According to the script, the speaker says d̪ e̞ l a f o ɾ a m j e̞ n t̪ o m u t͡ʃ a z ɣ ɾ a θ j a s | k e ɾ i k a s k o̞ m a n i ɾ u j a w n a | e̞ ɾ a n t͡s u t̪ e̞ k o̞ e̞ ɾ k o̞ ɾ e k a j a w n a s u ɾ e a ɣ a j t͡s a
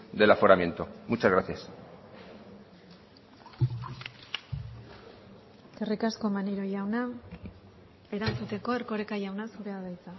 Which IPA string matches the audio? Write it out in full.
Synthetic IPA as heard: d̪ e̞ l a f o ɾ a m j e̞ n t̪ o m u t͡ʃ a z ɣ ɾ a θ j a s | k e r i k a s k o̞ m a n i ɾ o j a w n a | e̞ ɾ a n t͡s u t̪ e̞ k o̞ e̞ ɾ k o̞ ɾ e k a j a w n a s u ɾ e a ð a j t͡s a